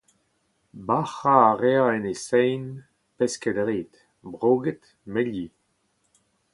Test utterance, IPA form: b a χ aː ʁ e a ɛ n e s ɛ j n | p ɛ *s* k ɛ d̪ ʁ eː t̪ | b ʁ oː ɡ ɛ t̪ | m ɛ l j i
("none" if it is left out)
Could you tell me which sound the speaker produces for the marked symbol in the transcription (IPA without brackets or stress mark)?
s